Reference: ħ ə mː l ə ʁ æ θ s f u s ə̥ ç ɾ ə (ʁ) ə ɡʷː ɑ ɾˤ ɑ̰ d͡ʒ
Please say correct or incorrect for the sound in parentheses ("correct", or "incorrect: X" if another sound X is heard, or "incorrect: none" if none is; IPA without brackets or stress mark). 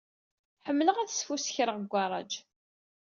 correct